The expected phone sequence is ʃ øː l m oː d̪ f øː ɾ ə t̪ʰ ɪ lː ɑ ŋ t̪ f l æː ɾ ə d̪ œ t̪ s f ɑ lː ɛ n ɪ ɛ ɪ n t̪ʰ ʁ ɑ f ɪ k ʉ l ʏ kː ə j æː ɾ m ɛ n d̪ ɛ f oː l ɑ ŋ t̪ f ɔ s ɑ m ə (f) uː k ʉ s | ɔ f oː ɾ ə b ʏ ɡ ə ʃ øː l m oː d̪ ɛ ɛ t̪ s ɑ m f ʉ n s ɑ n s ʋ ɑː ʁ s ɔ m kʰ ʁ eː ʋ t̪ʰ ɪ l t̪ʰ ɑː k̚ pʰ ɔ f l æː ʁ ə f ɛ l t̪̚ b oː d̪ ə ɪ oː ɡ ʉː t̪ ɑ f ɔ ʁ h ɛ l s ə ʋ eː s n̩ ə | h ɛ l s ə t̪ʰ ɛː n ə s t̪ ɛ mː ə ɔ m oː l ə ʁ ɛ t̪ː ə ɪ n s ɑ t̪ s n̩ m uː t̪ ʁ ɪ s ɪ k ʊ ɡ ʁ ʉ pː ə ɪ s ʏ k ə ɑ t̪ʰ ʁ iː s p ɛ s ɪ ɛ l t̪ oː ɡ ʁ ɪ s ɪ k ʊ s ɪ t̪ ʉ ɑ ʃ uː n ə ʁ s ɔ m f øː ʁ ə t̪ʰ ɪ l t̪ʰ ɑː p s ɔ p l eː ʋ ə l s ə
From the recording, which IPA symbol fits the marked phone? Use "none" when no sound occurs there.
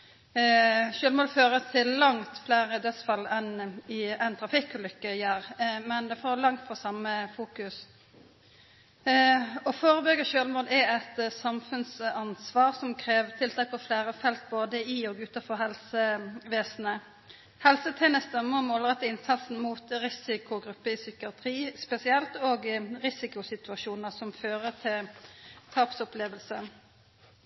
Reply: f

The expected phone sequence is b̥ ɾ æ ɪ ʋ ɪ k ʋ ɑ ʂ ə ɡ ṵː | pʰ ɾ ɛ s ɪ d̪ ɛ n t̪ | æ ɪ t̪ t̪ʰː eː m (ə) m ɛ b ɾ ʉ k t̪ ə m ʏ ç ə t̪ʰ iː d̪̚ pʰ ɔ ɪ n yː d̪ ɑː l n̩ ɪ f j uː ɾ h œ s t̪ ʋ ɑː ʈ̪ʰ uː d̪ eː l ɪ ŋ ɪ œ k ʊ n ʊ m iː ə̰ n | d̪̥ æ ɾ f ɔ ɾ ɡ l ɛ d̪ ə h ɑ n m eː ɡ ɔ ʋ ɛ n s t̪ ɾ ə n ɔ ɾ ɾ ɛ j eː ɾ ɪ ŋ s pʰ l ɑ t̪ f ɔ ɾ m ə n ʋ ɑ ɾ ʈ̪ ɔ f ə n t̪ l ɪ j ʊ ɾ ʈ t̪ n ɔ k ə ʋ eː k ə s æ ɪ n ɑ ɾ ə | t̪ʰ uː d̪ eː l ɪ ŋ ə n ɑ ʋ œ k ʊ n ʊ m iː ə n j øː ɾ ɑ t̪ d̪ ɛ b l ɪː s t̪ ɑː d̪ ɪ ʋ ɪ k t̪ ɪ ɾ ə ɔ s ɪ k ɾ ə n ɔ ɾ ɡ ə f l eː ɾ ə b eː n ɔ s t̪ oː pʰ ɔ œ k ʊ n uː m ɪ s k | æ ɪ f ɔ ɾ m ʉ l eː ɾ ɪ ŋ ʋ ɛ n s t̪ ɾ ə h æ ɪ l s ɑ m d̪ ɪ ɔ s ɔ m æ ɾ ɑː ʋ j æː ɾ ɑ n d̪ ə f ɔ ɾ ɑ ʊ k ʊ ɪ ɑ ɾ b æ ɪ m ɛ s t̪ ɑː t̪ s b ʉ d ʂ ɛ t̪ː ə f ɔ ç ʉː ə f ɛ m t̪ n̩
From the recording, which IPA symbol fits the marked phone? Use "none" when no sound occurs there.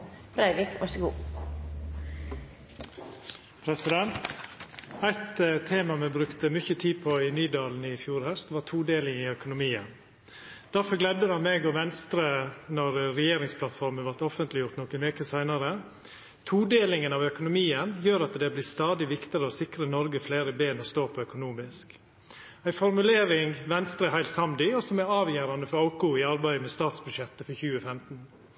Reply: ɑ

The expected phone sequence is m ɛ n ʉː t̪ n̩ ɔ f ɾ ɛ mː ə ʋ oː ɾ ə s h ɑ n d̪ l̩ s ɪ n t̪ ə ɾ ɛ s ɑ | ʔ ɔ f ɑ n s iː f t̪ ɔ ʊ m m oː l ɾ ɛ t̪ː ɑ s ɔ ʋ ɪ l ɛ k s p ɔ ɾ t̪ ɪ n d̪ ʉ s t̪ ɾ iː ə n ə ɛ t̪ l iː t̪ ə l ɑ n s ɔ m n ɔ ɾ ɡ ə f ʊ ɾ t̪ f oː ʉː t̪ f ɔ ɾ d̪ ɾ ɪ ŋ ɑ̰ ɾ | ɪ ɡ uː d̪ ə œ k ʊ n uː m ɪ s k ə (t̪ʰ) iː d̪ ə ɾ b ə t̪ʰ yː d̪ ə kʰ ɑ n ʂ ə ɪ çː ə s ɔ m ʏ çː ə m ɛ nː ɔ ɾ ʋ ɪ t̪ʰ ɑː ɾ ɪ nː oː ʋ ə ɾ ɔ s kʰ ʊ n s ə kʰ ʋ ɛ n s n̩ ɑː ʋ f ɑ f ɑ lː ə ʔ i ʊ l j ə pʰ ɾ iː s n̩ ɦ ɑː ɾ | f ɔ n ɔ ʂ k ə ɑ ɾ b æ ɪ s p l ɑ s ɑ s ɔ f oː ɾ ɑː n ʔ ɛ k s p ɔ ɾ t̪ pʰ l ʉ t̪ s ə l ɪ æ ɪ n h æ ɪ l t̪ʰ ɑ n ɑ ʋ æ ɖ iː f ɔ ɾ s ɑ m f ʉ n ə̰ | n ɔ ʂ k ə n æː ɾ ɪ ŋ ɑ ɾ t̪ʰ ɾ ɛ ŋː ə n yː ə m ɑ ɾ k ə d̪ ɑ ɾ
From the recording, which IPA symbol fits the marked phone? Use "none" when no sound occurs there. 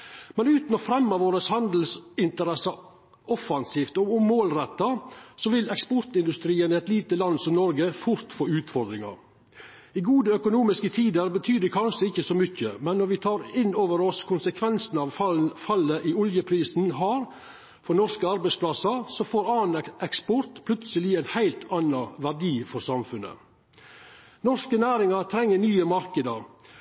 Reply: t̪ʰ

